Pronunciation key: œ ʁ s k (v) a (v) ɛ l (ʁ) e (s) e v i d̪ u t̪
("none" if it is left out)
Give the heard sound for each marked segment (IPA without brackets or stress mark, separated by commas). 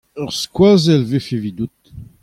w, z, v, f